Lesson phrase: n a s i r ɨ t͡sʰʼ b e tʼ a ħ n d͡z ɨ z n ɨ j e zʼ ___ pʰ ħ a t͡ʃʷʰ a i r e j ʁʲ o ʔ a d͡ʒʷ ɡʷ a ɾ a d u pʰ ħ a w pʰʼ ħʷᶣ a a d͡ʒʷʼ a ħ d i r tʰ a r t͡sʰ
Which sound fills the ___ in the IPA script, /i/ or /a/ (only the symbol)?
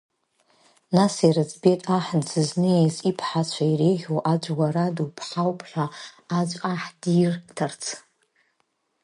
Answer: i